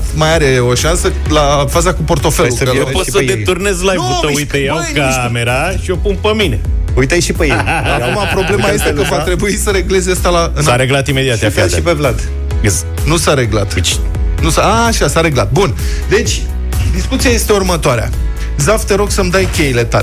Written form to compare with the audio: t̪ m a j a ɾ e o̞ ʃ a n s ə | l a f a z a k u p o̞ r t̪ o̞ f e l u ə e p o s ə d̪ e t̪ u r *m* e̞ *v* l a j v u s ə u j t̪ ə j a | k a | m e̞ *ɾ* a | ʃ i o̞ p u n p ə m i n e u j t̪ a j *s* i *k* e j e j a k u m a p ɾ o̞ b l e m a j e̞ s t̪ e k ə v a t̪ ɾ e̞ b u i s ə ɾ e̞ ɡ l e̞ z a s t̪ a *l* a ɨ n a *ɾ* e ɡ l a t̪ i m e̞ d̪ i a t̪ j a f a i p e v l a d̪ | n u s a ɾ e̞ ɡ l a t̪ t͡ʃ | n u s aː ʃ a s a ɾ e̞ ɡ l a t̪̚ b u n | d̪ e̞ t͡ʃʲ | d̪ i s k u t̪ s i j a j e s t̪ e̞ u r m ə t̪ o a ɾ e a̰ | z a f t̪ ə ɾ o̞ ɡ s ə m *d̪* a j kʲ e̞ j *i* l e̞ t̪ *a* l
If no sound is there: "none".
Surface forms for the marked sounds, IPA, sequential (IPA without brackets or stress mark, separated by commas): n, z, ɾ, ʃ, p, l, ɾ, d̪, i, a